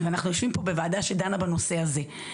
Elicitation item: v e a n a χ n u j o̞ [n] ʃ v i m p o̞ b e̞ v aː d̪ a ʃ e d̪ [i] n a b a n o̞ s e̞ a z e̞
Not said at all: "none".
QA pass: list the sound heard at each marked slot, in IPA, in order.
none, a

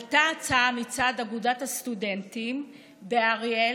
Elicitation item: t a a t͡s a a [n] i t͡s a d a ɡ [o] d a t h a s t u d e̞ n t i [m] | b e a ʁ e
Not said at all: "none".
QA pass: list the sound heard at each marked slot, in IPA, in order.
m, u, m

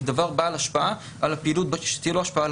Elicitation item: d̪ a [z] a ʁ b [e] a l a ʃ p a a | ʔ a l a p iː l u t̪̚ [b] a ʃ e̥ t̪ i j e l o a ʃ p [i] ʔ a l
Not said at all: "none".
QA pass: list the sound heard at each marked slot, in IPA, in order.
v, a, b, a

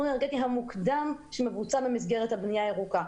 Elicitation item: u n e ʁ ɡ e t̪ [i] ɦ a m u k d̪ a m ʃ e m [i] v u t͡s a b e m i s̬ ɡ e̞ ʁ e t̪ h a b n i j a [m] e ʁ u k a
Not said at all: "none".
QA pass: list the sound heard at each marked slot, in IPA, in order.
i, e, none

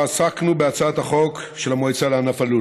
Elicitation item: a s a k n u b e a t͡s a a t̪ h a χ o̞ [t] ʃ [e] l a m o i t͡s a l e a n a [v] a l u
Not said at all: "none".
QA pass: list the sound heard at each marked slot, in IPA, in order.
k, e, f

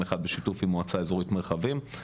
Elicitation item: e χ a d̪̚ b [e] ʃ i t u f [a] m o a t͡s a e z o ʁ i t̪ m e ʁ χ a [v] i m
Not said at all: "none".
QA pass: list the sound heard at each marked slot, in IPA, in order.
e, i, v

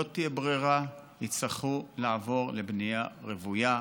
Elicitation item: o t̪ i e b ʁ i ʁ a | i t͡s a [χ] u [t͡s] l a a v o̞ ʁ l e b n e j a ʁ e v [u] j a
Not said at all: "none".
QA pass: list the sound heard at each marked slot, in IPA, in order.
χ, none, u

